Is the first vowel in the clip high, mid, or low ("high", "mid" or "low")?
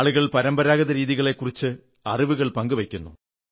high